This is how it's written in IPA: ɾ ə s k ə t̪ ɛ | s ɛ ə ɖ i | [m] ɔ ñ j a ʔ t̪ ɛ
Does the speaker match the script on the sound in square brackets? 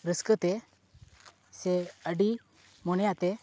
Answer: yes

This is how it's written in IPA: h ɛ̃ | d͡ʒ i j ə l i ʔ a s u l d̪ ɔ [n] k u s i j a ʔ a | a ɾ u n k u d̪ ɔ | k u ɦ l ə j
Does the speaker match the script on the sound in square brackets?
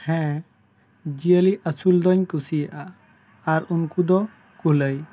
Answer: no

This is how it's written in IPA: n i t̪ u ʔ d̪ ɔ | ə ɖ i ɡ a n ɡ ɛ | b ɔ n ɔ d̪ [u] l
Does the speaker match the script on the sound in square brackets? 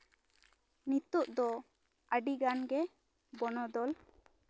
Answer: no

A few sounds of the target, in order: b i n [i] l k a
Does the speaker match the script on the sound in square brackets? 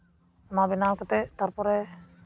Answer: no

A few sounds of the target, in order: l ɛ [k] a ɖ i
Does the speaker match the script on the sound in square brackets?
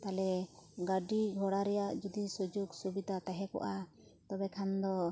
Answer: no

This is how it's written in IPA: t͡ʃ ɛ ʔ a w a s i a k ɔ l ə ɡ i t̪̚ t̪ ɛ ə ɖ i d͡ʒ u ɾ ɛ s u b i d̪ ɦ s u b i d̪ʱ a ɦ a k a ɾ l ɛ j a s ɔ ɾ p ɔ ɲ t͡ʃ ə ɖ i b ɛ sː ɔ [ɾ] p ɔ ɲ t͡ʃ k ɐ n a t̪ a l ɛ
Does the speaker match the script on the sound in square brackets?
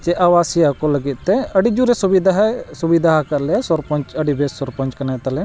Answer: yes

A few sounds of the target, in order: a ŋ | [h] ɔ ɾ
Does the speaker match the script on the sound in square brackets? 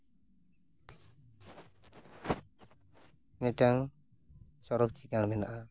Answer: no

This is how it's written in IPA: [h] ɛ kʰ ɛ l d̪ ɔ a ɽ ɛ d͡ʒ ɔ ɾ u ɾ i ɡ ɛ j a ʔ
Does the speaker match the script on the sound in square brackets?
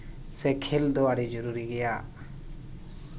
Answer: no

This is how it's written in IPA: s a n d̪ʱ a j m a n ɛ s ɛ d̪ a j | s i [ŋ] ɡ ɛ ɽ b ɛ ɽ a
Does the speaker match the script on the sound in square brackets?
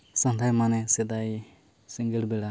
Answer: yes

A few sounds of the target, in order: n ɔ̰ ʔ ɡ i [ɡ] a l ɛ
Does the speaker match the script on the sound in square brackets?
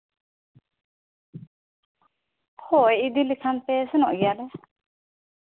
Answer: no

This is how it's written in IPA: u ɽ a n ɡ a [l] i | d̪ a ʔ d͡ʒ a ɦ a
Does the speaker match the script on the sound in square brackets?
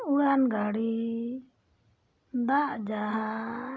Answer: no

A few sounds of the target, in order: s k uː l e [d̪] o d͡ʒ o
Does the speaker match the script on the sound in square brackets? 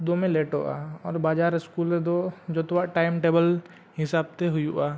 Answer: yes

